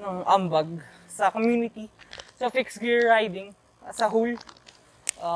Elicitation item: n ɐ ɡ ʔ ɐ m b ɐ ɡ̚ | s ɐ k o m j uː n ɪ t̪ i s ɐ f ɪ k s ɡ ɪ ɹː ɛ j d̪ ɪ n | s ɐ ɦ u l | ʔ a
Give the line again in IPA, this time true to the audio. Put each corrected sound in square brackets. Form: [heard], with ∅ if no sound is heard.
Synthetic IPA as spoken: n ɐ [ŋ] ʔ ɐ m b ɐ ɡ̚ | s ɐ k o m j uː n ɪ t̪ i s ɐ f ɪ k s ɡ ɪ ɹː [a] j d̪ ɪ [ŋ] | s ɐ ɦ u l | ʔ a